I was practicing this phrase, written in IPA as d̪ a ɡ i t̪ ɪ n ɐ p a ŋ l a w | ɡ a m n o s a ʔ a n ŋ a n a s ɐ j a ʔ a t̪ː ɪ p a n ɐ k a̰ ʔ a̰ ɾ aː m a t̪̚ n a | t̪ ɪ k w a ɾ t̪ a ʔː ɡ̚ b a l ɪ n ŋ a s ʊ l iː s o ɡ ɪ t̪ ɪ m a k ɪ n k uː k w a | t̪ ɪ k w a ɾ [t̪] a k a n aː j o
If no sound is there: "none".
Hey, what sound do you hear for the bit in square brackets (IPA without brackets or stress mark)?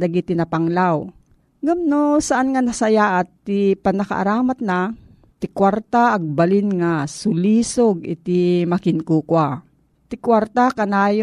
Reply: t̪